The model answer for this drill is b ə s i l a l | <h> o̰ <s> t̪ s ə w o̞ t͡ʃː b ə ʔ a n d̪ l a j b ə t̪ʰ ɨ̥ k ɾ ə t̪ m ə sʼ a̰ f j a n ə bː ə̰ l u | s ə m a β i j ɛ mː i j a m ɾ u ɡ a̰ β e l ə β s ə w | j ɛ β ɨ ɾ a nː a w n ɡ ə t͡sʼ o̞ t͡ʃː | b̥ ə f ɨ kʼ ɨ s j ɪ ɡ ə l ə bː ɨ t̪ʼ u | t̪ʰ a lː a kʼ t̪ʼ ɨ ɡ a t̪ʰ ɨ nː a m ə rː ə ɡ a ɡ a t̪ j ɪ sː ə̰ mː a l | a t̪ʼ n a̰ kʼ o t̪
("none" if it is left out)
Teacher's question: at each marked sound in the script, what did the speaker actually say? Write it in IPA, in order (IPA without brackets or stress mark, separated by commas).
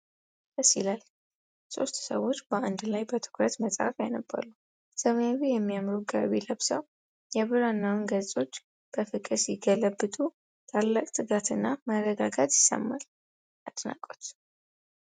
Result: s, s